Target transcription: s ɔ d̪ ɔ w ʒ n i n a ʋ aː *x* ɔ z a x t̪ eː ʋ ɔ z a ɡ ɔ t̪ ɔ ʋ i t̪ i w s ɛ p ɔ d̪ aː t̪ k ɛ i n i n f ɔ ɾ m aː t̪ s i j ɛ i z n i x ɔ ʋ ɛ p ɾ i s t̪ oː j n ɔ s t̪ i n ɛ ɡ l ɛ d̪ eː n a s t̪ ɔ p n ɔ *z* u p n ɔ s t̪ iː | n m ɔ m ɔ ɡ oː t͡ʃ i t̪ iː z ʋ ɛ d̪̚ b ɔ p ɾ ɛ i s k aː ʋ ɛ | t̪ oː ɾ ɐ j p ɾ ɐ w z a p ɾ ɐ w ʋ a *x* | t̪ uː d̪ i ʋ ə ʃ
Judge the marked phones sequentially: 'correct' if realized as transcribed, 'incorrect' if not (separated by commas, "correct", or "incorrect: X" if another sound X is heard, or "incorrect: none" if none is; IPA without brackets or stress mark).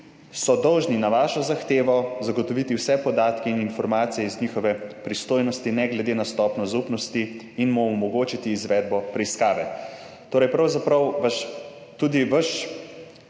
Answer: incorrect: ʃ, correct, incorrect: ʃ